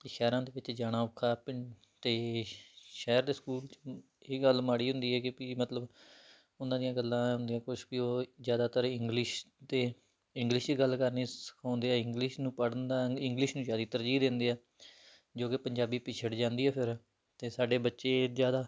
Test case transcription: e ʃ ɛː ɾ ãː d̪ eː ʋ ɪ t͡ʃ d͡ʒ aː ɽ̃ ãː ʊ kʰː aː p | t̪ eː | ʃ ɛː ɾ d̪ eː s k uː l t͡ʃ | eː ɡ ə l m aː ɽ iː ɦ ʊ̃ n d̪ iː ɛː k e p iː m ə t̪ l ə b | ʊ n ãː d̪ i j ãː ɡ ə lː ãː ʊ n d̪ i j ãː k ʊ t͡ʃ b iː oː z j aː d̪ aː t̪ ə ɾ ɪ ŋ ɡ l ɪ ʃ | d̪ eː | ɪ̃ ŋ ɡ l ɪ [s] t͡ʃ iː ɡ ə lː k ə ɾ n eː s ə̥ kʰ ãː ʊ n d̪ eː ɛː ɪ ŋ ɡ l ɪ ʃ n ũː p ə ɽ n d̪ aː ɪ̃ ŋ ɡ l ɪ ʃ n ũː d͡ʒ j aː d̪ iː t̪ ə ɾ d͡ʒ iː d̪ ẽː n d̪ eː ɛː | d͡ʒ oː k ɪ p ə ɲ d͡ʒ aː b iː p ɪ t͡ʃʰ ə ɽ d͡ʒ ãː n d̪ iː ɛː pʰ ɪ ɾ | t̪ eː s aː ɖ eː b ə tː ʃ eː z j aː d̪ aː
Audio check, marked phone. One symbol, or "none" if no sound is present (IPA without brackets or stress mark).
ʃ